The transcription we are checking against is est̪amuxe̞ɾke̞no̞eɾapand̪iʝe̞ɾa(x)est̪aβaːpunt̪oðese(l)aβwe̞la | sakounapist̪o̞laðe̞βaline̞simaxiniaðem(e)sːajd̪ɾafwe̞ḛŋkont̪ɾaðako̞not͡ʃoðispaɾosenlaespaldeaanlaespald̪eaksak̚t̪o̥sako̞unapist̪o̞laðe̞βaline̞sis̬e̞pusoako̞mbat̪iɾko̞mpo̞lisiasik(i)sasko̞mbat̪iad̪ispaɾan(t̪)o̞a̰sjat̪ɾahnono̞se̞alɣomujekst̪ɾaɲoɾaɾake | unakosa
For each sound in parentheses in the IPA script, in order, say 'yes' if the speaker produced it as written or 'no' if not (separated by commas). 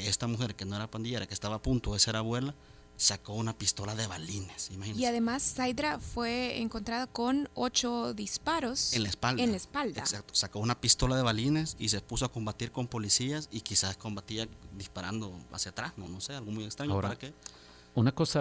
no, no, no, yes, no